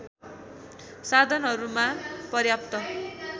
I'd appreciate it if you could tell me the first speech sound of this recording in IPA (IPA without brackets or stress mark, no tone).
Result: s